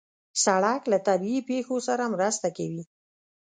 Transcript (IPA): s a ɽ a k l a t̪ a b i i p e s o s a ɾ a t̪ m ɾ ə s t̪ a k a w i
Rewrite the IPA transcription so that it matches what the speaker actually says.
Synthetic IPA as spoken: s a ɽ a k l a t̪ a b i i p e x o s a ɾ a m ɾ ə s t̪ a k a w i